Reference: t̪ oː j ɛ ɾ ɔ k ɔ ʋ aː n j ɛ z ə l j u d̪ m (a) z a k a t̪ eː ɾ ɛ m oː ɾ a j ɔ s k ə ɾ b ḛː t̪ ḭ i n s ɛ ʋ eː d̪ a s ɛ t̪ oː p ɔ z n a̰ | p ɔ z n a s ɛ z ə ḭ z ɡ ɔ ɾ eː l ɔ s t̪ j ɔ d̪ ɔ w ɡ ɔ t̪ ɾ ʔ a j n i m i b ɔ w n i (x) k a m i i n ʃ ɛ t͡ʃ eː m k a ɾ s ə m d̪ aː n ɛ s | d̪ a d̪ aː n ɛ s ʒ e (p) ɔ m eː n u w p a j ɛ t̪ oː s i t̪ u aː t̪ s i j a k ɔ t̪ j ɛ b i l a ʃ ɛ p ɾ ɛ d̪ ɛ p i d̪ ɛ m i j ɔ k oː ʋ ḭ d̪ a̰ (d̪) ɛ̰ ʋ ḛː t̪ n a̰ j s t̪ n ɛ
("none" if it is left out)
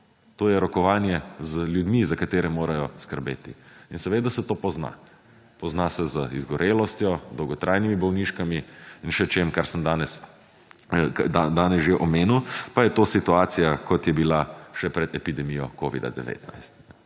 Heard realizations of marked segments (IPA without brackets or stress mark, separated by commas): i, ʃ, ʔ, d̪